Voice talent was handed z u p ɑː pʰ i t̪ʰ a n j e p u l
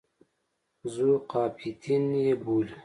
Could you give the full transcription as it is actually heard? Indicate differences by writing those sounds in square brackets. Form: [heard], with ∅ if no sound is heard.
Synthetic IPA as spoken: z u [q] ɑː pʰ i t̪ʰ [i] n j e [b] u l